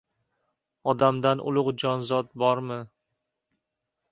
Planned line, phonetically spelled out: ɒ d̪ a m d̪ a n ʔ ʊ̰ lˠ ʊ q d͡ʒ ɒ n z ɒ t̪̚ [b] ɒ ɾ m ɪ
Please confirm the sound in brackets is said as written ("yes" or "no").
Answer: yes